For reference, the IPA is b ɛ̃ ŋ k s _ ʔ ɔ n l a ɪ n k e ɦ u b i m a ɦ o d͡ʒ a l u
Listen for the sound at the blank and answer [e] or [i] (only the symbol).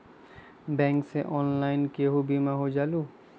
e